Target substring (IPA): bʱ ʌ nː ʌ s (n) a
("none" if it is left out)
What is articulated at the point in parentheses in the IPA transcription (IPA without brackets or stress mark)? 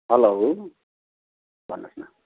n